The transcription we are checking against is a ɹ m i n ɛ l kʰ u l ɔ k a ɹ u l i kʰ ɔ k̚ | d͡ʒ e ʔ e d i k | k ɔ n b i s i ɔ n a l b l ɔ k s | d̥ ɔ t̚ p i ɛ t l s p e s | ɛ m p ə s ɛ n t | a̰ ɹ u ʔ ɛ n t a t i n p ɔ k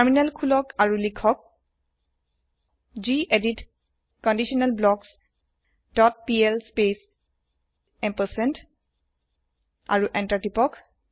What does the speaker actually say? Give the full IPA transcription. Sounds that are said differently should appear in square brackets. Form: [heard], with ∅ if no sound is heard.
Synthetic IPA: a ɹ m i n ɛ l kʰ u l ɔ k a ɹ u l i kʰ ɔ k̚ | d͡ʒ [i] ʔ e d i [t] | k ɔ n [d] i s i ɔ n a l b l ɔ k s | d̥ ɔ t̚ p i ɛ [∅] l s p e s | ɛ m p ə s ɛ n t | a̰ ɹ u ʔ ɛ n t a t i [∅] p ɔ k